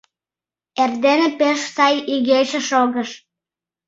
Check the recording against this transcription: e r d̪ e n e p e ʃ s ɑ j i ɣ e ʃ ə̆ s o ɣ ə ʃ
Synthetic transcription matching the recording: e r d̪ e n e p e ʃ s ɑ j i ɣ e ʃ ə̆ ʃ o ɣ ə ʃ